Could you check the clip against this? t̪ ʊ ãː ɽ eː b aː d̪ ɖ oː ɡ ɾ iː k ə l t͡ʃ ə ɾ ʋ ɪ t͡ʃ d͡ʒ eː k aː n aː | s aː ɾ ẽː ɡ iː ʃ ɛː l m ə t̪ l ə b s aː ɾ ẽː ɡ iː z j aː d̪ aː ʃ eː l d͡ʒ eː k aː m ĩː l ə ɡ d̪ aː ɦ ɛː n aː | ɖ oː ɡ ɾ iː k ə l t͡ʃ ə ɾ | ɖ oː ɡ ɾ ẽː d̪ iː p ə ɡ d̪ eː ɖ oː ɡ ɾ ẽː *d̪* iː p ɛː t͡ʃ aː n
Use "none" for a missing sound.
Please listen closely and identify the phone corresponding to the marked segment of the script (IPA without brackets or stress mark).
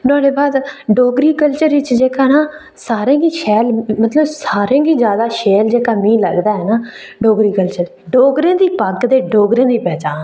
d̪